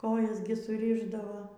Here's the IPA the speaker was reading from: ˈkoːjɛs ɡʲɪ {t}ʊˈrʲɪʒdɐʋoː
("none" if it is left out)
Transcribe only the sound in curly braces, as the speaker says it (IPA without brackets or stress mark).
s